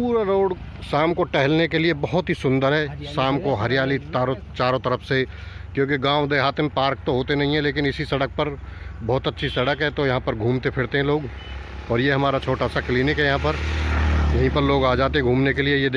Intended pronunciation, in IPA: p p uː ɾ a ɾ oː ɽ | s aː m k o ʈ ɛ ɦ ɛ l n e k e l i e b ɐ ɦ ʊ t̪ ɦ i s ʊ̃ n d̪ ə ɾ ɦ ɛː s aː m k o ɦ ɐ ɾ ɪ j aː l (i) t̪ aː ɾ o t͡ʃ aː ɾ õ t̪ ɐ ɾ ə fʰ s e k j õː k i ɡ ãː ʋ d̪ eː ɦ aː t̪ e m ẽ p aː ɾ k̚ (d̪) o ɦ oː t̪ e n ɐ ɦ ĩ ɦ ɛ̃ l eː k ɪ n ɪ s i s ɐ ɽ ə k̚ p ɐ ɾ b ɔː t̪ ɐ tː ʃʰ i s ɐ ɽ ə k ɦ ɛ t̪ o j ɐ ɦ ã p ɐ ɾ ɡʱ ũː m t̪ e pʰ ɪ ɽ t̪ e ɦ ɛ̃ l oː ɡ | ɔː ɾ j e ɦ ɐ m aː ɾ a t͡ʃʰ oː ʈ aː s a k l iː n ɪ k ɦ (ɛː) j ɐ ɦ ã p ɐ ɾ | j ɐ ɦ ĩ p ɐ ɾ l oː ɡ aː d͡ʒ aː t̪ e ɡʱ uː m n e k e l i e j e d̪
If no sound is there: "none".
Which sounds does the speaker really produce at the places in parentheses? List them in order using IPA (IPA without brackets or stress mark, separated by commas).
i, t̪, ɛ